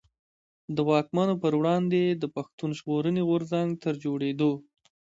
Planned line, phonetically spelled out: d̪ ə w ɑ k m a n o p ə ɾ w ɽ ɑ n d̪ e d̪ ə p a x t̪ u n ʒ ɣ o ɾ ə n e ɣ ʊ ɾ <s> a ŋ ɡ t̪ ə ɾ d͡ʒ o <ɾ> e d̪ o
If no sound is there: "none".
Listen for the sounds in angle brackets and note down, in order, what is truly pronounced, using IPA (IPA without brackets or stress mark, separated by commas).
z, ɽ